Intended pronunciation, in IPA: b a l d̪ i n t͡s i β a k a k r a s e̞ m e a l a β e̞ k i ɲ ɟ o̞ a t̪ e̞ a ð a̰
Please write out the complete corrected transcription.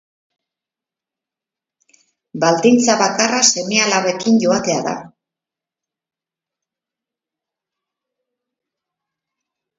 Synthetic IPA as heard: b a l d̪ i n t͡s a β a k a r a s e̞ m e a l a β e̞ k i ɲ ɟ o̞ a t̪ e̞ a ð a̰